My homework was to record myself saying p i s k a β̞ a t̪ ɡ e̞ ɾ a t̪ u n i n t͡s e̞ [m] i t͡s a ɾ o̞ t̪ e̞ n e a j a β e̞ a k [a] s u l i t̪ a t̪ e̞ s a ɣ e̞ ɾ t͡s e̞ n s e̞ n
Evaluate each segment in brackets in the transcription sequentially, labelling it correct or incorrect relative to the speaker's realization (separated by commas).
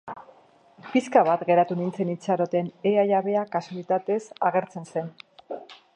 incorrect, correct